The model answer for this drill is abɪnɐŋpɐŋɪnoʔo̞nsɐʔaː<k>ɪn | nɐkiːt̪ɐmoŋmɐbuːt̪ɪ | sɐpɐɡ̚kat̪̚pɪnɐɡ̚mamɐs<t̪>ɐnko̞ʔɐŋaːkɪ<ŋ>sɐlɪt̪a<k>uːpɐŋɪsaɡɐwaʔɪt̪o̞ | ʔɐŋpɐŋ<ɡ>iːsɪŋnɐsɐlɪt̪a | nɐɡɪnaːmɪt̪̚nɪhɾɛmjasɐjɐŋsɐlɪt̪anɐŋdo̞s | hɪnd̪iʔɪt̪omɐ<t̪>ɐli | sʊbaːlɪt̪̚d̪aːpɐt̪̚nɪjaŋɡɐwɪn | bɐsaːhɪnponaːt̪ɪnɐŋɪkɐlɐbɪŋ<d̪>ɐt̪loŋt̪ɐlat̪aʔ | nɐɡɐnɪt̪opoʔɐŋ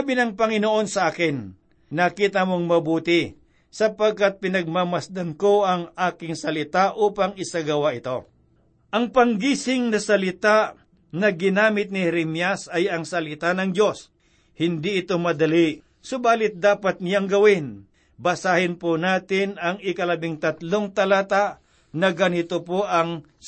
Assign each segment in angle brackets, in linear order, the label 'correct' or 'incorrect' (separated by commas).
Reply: correct, incorrect, correct, incorrect, correct, incorrect, incorrect